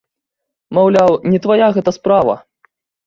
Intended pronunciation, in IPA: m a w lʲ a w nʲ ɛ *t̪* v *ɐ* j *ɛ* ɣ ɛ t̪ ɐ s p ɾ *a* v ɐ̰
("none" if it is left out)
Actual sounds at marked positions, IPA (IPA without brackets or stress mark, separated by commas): t̪, a, a, a